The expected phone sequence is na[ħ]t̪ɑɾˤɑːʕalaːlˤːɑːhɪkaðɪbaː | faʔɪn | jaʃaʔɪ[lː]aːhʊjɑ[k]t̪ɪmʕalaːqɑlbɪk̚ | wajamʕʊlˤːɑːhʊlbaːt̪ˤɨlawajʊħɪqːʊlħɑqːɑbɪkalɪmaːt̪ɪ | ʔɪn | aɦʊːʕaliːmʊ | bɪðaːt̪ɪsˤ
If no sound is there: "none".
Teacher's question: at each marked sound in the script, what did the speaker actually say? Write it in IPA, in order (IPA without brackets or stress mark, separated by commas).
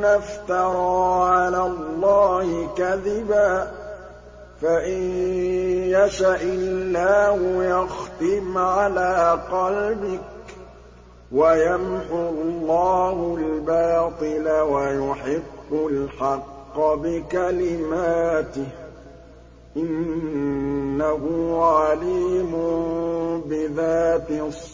f, lː, x